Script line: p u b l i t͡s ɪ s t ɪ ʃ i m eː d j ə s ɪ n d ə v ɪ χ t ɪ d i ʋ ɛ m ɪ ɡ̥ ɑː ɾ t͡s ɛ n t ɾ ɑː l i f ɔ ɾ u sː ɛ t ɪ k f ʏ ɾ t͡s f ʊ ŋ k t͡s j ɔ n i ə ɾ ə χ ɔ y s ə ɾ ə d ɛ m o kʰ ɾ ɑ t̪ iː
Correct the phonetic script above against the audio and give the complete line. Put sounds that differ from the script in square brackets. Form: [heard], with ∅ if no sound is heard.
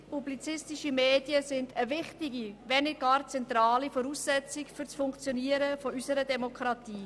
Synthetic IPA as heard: p u b l i t͡s ɪ s t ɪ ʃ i m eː d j ə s ɪ n d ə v ɪ χ t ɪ [ɡ] i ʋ ɛ [n] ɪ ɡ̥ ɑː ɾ t͡s ɛ n t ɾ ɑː l i f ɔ ɾ u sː ɛ [t͡s] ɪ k f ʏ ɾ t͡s f ʊ ŋ k t͡s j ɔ n i ə ɾ ə [f] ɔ y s ə ɾ ə d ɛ m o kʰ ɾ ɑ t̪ iː